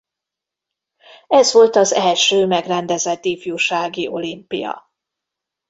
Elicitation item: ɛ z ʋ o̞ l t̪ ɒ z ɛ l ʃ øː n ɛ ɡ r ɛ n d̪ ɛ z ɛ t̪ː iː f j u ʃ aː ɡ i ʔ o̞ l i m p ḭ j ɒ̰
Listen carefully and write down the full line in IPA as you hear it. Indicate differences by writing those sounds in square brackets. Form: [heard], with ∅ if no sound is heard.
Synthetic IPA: ɛ z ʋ o̞ l t̪ ɒ z ɛ l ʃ øː [m] ɛ ɡ r ɛ n d̪ ɛ z ɛ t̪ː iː f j u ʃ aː ɡ i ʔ o̞ l i m p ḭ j ɒ̰